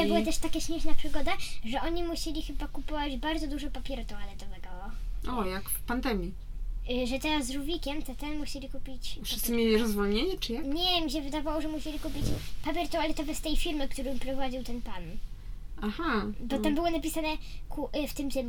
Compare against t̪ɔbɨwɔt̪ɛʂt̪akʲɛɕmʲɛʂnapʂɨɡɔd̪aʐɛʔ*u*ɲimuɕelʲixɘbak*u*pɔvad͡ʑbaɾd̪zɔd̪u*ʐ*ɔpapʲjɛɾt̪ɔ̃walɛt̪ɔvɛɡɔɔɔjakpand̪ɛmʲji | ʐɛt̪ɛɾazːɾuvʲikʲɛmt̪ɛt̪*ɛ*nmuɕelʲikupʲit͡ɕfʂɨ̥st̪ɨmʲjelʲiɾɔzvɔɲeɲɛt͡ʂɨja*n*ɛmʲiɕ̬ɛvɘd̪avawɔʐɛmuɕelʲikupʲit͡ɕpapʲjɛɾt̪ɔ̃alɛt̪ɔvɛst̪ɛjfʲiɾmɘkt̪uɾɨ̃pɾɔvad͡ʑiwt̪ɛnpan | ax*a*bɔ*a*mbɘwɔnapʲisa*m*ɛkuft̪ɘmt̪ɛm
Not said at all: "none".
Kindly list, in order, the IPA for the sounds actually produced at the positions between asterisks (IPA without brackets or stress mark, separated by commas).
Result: ɔ, u, ʐ, ɛ, ɲ, a, a, n